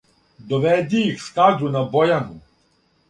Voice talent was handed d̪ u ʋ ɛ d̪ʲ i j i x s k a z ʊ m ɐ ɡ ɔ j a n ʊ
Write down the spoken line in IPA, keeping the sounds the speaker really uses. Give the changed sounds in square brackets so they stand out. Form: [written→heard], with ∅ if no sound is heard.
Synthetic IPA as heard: d̪ [u→ɔ] ʋ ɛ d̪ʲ i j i x s k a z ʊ [m→n] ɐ [ɡ→b] ɔ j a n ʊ